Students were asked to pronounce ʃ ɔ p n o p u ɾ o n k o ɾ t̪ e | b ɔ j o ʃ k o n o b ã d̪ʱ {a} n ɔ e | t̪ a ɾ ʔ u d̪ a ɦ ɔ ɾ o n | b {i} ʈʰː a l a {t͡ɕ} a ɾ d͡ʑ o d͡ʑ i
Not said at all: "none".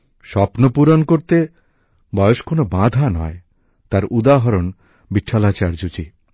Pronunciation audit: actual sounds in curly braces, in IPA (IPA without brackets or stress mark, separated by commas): a, i, t͡ɕ